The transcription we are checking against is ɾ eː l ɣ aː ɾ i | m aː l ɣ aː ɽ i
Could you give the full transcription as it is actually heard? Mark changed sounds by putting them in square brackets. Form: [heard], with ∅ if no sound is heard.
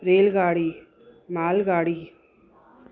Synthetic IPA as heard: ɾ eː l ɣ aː [ɽ] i | m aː l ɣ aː ɽ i